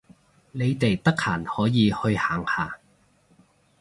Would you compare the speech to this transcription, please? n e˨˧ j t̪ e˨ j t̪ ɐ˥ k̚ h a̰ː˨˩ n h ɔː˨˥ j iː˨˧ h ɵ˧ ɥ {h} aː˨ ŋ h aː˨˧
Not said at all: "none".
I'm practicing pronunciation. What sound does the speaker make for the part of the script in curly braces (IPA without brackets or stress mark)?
h